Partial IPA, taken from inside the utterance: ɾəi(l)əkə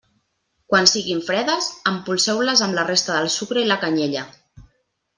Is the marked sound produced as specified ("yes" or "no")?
yes